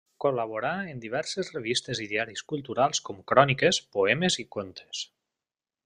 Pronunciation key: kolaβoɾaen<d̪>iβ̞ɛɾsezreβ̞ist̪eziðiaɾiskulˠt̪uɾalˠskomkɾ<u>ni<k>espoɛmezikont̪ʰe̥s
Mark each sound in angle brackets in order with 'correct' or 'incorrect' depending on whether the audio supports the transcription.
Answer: correct, incorrect, correct

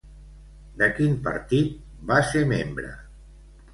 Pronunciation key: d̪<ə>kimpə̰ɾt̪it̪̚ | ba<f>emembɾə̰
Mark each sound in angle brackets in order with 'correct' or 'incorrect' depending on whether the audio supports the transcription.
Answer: correct, incorrect

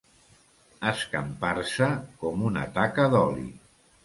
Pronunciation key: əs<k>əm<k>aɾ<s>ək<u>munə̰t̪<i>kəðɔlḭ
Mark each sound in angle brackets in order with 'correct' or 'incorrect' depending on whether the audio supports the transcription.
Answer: correct, incorrect, correct, incorrect, incorrect

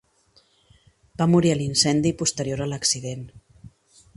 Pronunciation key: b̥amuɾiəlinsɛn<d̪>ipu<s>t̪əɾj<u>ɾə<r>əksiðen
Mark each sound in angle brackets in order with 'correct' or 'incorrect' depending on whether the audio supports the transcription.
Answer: correct, correct, incorrect, incorrect

